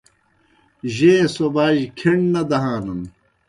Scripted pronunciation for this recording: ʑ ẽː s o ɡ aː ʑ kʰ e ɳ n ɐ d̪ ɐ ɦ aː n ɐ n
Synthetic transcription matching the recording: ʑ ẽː s o b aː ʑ kʰ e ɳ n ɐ d̪ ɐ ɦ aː n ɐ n

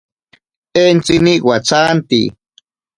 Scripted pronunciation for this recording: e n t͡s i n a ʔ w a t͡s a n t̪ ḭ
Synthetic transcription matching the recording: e n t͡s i n i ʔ w a t͡s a n t̪ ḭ

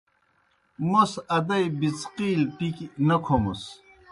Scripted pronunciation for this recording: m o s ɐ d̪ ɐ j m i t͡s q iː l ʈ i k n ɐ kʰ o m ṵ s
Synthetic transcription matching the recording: m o s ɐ d̪ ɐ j b i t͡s q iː l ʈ i k n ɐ kʰ o m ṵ s

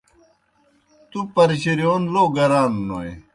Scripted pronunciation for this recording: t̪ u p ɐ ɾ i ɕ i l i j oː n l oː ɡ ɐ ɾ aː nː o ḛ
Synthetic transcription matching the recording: t̪ u p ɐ ɾ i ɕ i ɾ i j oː n l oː ɡ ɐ ɾ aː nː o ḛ

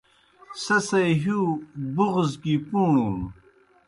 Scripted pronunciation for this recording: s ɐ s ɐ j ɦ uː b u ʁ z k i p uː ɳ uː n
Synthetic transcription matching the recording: s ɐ s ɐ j ɦ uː b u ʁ z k i p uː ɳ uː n

